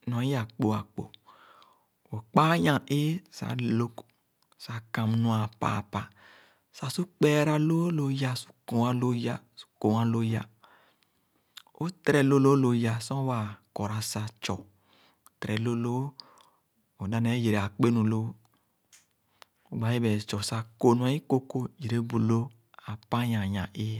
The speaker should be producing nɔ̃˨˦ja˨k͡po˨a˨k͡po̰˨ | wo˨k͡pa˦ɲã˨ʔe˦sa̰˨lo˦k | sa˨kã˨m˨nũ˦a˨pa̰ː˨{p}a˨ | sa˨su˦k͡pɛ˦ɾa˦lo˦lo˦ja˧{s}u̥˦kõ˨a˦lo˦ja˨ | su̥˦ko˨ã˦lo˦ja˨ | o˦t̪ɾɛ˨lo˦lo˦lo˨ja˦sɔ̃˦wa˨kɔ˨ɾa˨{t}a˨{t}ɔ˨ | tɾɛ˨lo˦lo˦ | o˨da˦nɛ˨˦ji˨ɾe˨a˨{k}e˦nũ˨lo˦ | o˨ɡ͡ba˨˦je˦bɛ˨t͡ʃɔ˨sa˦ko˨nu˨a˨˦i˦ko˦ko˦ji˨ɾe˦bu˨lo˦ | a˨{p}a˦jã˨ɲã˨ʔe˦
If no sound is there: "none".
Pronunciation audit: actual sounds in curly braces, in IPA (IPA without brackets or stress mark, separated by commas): p, s, s, t͡ʃ, k͡p, p